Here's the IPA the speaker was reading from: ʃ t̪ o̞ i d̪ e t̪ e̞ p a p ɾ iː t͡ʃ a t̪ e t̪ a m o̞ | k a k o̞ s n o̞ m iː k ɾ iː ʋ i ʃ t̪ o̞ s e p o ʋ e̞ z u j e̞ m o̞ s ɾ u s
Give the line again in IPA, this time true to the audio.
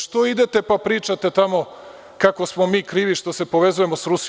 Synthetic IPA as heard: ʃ t̪ o̞ i d̪ e t̪ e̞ p a p ɾ iː t͡ʃ a t̪ e t̪ a m o̞ | k a k o̞ s m o̞ m iː k ɾ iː ʋ i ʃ t̪ o̞ s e p o ʋ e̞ z u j e̞ m o̞ s ɾ u s